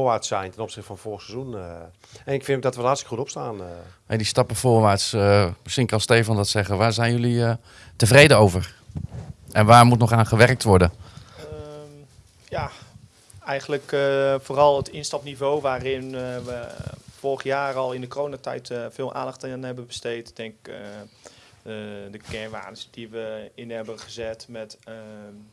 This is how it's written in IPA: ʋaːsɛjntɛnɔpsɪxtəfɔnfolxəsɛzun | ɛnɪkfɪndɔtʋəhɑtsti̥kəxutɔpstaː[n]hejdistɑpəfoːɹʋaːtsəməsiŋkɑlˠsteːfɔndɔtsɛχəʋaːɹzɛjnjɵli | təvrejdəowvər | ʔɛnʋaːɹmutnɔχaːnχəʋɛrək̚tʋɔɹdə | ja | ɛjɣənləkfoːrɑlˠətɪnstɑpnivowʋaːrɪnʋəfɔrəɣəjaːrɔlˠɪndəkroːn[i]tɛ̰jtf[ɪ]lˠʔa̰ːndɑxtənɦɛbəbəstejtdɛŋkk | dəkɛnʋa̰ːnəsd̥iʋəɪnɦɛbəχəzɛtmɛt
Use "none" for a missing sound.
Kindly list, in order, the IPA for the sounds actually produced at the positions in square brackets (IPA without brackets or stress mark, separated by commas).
n, a, ɪː